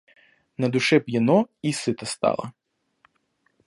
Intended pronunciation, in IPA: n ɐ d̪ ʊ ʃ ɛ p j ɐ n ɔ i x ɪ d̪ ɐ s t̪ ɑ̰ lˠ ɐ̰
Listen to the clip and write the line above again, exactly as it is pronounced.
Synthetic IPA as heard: n ɐ d̪ ʊ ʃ ɛ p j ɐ n ɔ i s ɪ t̪ ɐ s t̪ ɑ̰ lˠ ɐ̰

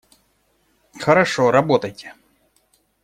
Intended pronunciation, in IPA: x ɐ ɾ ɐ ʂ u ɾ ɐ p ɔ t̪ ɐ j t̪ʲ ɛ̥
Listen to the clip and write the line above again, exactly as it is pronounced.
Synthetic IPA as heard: x ɐ ɾ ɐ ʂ ɔ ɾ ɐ b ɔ t̪ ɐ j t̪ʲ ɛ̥

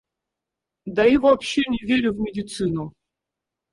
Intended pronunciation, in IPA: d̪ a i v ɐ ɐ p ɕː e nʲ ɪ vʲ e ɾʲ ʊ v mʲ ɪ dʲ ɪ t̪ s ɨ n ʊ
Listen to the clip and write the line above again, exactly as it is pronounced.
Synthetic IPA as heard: d̪ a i v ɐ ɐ p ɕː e nʲ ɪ vʲ e ɾʲ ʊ v mʲ ɪ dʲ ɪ t̪ s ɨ n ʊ

